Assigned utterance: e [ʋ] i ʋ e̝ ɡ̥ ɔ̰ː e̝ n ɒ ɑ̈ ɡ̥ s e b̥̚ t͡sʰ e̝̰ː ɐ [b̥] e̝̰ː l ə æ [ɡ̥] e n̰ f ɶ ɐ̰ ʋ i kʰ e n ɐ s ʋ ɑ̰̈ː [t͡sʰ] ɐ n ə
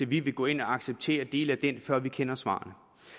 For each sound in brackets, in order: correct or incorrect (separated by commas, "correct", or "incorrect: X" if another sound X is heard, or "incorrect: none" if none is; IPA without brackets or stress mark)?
correct, incorrect: d̥, incorrect: d̥, incorrect: none